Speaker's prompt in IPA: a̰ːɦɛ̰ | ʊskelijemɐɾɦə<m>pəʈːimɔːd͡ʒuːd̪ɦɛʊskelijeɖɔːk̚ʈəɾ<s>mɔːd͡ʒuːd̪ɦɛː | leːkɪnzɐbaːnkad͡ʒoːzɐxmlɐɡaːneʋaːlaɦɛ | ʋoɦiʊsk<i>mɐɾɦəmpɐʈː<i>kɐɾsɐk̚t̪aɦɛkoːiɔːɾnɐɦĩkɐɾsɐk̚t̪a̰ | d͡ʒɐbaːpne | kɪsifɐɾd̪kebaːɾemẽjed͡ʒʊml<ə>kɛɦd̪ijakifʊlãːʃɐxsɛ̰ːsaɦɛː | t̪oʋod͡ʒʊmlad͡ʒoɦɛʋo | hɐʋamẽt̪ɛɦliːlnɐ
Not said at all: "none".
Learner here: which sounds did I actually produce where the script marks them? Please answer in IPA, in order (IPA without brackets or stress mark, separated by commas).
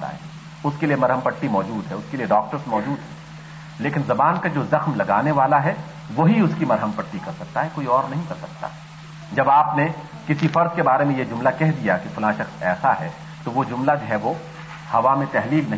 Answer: m, s, i, i, a